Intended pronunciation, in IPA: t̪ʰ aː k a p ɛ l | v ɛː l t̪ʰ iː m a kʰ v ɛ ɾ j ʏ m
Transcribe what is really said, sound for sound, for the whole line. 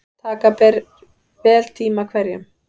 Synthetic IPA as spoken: t̪ʰ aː k a p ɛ ɾ | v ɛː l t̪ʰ iː m a kʰ v ɛ ɾ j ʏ m